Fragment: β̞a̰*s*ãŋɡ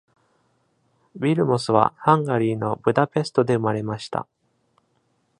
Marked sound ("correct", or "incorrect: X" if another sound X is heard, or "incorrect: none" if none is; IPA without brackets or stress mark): incorrect: h